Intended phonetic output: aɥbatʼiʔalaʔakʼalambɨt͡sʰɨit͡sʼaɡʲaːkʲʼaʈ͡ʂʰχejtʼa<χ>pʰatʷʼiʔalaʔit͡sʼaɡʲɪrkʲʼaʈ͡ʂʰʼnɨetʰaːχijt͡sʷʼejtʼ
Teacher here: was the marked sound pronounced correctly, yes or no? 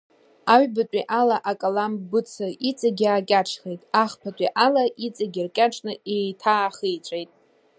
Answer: yes